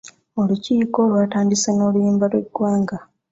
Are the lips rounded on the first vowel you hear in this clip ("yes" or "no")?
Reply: yes